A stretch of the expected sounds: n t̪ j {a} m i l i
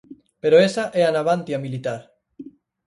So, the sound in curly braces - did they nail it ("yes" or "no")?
yes